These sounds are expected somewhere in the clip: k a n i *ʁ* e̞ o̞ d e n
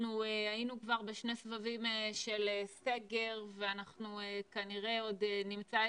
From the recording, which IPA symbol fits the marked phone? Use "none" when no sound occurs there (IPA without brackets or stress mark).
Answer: ʁ